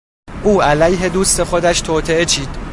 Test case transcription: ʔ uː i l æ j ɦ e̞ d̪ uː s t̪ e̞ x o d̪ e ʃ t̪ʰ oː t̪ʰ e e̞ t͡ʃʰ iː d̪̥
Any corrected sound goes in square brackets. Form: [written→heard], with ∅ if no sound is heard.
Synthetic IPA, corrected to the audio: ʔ uː [i→æ] l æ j ɦ e̞ d̪ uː s t̪ e̞ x o d̪ [e→æ] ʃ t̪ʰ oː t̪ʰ e e̞ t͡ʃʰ iː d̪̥